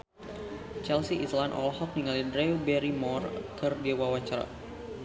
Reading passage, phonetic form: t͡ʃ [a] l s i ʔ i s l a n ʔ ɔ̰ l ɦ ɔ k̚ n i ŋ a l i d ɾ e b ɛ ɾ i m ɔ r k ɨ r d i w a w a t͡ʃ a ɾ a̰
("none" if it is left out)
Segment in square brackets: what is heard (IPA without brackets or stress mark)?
ɛ